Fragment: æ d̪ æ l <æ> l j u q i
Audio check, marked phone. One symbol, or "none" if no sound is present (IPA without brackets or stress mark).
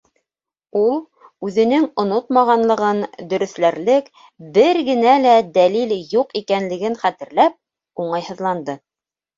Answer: i